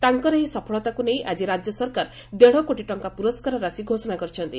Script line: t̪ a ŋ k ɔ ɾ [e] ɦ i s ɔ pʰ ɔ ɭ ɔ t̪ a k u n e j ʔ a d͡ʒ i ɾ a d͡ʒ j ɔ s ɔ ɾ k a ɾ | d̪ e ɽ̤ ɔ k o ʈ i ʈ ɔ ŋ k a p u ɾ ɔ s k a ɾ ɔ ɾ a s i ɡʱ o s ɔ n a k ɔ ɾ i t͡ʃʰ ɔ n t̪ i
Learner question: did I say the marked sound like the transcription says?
yes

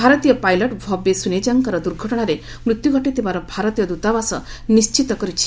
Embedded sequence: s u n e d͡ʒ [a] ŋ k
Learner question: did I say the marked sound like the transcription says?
yes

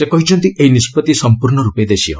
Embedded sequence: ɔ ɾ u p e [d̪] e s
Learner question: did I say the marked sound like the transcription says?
yes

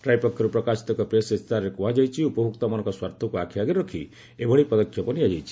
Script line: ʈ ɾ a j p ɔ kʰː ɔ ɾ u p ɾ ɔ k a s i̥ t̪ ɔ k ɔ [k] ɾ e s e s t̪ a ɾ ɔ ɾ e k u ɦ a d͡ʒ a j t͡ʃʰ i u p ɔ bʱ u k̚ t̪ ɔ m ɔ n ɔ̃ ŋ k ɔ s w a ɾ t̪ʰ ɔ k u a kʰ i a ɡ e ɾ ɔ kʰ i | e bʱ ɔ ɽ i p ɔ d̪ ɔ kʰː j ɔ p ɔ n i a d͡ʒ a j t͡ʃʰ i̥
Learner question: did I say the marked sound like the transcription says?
no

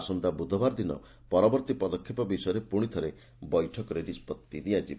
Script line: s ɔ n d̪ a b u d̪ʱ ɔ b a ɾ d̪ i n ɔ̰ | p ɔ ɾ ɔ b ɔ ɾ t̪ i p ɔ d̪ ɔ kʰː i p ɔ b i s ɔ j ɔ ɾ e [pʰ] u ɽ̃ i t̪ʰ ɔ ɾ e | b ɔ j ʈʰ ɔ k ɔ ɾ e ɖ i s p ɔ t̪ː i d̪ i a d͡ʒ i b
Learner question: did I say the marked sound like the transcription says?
no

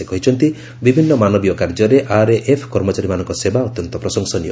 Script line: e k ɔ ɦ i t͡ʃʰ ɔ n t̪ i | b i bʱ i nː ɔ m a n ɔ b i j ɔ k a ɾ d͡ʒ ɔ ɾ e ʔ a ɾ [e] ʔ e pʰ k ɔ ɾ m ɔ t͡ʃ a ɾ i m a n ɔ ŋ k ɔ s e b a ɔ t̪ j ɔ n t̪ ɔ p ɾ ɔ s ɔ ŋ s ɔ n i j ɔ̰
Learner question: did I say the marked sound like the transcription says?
yes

